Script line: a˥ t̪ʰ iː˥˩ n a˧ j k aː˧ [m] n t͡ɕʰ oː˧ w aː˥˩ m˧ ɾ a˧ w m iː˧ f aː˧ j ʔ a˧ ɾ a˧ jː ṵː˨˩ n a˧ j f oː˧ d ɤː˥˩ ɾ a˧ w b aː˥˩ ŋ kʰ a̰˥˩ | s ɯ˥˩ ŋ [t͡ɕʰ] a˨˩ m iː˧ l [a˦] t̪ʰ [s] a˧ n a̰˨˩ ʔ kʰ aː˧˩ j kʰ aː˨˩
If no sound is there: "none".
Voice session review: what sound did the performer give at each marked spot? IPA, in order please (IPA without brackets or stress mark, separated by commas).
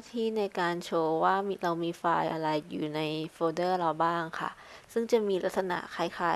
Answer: none, t͡ɕ, a˦, s